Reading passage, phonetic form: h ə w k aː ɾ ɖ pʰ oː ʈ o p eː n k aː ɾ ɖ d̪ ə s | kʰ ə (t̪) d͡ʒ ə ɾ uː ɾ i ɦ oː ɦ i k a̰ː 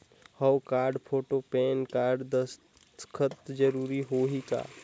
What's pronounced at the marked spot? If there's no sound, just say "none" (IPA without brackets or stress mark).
t̪